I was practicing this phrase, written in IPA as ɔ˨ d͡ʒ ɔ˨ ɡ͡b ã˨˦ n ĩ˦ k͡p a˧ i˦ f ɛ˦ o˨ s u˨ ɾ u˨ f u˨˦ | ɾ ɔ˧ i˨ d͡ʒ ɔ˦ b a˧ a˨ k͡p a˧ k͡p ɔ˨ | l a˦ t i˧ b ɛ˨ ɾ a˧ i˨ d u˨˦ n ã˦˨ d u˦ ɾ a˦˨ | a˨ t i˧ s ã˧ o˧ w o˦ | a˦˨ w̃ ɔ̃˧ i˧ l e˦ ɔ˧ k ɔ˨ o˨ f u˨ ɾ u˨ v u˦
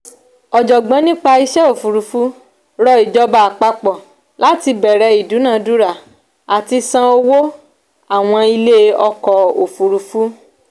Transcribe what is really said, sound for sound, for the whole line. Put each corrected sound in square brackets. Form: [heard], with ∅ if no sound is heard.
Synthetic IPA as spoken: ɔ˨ d͡ʒ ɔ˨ ɡ͡b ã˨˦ n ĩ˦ k͡p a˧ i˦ [ʃ] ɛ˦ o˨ [f] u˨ ɾ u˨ f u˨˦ | ɾ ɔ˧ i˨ d͡ʒ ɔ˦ b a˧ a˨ k͡p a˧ k͡p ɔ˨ | l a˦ t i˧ b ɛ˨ ɾ [ɛ˧] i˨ d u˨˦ n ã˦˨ d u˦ ɾ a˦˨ | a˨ t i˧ s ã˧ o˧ w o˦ | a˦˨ w̃ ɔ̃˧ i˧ l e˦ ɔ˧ k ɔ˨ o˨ f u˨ ɾ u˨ [f] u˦